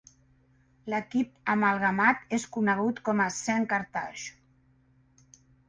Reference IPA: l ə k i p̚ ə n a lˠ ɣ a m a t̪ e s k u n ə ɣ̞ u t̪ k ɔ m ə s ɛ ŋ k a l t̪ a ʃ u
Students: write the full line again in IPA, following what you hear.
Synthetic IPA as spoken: l ə k i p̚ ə m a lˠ ɣ a m a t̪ e s k u n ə ɣ̞ u t̪ k ɔ m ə s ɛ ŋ k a ɾ t̪ a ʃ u